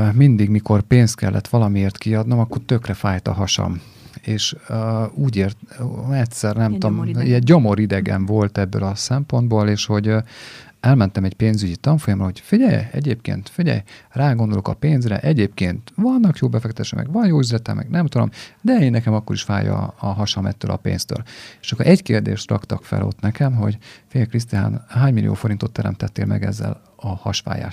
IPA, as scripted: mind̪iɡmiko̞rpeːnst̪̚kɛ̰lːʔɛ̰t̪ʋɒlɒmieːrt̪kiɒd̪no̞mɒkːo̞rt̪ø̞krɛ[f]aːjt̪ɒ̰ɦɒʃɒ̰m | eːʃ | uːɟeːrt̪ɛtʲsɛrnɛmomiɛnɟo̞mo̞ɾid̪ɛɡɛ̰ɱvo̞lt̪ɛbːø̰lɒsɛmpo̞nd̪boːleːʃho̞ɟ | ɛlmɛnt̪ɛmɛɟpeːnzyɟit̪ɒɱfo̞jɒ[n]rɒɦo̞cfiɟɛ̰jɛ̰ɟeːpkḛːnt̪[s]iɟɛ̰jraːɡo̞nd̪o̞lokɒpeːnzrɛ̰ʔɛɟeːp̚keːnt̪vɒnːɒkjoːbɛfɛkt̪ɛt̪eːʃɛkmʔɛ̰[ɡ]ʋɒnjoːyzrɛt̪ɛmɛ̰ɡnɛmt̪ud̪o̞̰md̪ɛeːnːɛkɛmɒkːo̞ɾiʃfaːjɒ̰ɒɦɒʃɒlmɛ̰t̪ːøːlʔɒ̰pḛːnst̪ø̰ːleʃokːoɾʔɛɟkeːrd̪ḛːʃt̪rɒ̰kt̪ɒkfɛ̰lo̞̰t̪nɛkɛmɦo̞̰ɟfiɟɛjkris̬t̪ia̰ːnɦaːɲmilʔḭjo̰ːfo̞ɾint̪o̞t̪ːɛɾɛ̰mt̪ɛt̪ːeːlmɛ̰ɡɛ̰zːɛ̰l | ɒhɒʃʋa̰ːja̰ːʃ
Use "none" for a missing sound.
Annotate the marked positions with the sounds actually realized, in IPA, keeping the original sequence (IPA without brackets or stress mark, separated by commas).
f, m, f, ɡ